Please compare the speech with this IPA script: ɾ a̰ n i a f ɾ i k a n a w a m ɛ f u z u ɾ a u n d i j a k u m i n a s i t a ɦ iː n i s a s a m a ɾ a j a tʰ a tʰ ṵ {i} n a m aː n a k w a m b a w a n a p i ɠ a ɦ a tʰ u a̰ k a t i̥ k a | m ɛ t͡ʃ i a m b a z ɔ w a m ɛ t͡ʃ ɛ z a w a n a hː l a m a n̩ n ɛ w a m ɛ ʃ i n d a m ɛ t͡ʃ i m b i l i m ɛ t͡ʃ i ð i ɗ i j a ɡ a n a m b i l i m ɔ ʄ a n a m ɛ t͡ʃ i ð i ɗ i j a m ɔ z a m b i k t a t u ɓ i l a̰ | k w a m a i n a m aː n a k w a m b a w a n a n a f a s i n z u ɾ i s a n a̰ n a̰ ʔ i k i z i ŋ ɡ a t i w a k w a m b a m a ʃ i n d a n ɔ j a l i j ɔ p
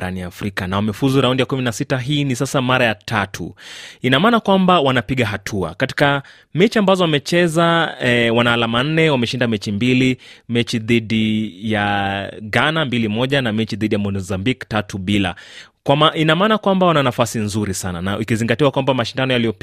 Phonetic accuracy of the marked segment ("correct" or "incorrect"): correct